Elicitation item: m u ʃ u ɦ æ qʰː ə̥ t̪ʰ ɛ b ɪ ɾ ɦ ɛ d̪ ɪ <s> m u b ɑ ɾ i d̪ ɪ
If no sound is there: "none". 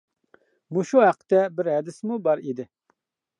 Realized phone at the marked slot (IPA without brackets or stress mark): s